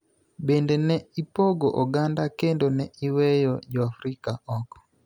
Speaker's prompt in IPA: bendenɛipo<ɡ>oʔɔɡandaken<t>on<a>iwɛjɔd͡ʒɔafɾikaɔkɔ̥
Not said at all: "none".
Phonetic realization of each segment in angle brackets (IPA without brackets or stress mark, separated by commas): ɡ, d, ɛ